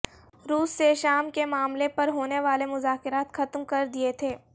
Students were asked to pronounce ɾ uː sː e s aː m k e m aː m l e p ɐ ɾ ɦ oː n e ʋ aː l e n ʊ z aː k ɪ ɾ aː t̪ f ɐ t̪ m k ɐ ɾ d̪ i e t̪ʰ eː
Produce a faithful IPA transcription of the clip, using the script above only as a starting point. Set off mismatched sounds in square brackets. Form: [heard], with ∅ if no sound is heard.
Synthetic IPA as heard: ɾ uː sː e [ʃ] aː m k e m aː m l e p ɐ ɾ ɦ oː n e ʋ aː l e [m] ʊ z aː k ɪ ɾ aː t̪ [x] ɐ t̪ m k ɐ ɾ d̪ i e t̪ʰ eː